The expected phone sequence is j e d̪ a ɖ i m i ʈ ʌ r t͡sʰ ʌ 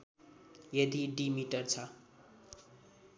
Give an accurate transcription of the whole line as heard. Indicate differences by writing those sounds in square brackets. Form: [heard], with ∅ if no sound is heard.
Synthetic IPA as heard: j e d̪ [i] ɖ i m i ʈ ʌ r t͡sʰ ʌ